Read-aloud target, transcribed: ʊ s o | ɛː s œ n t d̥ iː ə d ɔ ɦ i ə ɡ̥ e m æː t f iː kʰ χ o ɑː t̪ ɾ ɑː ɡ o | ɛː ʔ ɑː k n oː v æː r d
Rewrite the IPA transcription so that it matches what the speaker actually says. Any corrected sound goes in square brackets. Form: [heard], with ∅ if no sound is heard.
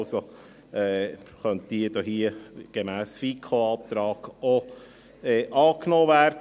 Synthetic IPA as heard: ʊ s o | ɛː [χ] œ n t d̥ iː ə d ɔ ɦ i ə ɡ̥ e m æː [s] f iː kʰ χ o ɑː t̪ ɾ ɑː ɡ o | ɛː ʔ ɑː k n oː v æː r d